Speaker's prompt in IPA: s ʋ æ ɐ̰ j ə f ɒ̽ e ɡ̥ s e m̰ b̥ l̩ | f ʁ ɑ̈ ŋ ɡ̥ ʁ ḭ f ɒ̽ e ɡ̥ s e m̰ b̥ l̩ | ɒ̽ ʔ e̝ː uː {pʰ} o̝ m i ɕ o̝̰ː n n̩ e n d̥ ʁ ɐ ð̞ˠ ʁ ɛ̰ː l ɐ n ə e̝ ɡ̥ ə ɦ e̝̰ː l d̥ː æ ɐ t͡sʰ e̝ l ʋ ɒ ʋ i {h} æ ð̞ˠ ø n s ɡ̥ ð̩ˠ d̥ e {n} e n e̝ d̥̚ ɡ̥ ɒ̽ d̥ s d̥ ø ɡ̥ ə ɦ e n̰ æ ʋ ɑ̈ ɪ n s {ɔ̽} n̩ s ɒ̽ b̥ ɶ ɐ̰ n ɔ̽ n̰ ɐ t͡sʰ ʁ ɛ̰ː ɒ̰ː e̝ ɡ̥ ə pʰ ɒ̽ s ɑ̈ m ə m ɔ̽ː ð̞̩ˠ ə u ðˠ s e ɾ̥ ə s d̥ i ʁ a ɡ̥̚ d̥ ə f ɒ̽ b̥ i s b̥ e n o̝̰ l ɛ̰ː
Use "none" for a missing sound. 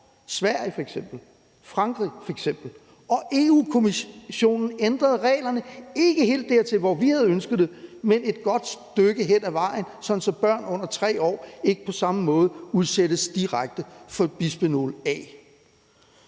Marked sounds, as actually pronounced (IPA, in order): kʰ, h, m, ɒ̽

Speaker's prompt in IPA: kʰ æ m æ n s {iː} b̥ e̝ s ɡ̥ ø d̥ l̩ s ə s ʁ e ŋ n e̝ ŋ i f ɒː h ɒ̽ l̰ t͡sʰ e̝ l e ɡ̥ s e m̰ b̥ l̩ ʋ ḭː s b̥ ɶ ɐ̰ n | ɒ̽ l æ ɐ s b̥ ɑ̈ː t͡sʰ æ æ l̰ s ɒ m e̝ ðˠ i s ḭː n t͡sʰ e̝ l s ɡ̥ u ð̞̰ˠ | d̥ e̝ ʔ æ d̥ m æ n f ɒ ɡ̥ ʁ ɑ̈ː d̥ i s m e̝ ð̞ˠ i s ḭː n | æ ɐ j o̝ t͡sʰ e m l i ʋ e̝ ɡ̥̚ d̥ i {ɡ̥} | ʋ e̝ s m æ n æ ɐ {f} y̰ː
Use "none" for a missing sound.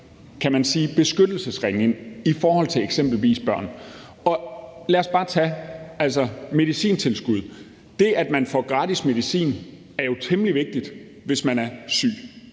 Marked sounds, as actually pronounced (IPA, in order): iː, d̥, s

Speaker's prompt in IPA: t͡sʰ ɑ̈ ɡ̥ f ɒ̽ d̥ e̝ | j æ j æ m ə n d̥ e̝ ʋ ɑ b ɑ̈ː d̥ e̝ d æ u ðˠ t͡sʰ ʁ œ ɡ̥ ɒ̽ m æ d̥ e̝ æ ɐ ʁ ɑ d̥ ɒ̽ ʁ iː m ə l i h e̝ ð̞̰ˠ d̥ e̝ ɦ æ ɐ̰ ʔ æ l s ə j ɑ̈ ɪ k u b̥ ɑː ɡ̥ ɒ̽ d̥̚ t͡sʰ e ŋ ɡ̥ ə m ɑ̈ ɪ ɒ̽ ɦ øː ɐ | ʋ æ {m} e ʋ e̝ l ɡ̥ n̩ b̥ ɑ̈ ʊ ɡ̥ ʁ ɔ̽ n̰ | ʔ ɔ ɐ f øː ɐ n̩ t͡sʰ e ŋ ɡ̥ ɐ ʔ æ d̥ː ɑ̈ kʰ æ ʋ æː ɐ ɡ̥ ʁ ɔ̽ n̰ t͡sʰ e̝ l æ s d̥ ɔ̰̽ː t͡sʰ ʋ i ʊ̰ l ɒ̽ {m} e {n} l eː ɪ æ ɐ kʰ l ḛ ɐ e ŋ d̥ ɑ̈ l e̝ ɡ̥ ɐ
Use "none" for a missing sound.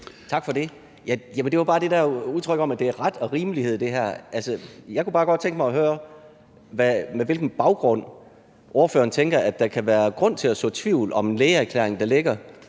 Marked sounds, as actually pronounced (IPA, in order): m, m, n

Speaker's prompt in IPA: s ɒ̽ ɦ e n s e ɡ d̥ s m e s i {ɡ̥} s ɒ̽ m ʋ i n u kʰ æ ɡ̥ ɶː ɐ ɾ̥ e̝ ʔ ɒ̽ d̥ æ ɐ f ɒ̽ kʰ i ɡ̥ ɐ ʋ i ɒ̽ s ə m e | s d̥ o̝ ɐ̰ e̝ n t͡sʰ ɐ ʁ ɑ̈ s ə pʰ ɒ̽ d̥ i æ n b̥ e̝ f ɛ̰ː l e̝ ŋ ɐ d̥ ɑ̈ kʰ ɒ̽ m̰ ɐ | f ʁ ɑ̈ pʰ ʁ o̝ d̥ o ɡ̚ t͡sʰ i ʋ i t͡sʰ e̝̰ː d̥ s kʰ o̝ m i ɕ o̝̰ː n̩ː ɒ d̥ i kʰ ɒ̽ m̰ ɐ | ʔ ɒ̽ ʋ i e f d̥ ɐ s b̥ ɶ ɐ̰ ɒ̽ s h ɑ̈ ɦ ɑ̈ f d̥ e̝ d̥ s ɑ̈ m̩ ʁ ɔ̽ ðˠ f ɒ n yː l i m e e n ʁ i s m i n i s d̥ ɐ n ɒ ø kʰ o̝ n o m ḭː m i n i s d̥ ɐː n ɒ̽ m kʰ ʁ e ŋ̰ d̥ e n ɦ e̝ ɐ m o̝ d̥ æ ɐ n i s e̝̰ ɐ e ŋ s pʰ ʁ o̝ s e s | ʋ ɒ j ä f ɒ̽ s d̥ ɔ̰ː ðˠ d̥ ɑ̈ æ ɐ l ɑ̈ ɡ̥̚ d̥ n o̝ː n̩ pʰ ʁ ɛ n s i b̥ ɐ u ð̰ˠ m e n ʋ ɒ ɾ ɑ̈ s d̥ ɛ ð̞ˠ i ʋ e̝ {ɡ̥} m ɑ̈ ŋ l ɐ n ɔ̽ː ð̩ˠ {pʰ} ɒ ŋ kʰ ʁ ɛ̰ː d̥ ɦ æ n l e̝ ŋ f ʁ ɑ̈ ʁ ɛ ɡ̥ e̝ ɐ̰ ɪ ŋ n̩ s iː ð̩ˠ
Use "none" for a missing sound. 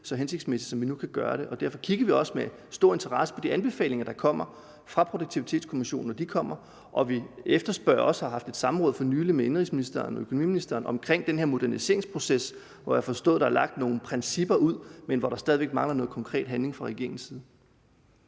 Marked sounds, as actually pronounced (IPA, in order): d̥, ɡ̥, kʰ

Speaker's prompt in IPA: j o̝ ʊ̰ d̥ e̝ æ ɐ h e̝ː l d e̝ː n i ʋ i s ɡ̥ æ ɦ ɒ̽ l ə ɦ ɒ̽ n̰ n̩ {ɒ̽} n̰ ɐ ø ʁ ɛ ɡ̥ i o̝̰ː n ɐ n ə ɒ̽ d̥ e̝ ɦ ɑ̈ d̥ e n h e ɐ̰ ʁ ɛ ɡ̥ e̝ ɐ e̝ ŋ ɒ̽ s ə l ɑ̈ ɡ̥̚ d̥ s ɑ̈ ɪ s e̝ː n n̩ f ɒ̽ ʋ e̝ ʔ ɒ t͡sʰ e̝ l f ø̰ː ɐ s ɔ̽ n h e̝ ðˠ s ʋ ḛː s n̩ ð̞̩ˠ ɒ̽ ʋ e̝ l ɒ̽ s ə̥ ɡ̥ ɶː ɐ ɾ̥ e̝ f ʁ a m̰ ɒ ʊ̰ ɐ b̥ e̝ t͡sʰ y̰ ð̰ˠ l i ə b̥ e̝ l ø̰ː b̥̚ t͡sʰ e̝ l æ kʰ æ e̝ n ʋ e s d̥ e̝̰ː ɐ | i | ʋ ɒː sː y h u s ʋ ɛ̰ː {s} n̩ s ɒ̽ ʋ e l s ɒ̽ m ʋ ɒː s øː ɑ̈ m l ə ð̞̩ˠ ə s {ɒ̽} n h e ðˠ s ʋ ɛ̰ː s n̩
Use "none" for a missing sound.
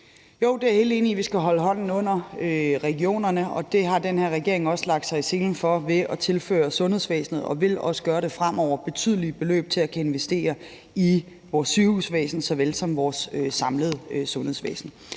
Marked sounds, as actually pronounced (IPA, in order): ɔ̽, s, ɔ̽

